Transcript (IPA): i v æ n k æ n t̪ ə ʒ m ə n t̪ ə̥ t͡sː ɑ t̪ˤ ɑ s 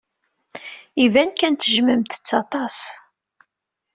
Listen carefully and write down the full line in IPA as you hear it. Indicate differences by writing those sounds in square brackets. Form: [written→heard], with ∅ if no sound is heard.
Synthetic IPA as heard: i v æ n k æ n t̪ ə ʒ m ə [n→m] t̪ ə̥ t͡sː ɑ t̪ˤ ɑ s